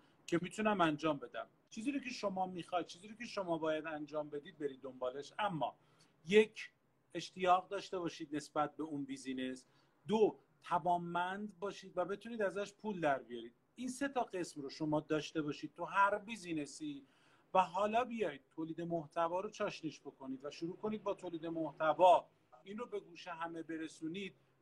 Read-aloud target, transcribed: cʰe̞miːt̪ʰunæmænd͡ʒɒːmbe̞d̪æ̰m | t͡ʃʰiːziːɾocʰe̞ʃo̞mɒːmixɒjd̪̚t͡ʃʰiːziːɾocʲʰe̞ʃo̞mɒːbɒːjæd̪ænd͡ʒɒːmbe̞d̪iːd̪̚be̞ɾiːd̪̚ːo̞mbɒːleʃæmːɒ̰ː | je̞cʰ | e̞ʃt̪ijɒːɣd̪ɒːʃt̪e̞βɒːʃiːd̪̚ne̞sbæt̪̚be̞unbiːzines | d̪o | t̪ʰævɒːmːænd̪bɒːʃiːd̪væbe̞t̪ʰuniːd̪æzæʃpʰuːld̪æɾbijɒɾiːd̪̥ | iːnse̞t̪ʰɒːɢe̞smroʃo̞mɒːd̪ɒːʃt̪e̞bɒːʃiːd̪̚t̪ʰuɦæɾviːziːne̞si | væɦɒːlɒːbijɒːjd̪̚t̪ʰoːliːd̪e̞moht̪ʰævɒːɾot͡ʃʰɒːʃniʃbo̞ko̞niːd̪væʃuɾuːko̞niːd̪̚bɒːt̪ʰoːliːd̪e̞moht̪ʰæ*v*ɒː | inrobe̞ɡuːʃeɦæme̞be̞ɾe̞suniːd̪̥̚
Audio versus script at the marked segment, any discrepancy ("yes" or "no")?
no